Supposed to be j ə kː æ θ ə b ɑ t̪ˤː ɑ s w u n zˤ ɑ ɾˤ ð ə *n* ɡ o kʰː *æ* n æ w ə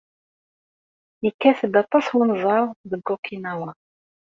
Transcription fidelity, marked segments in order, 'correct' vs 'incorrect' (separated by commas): incorrect, incorrect